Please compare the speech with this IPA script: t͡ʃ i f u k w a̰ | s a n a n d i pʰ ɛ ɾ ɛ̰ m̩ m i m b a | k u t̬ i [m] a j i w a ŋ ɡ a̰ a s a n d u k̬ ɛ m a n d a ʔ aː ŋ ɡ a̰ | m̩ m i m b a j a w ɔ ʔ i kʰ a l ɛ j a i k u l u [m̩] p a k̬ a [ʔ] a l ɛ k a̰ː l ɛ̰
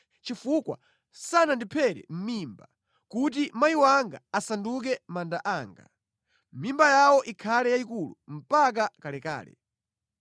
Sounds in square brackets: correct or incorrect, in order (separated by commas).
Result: correct, correct, incorrect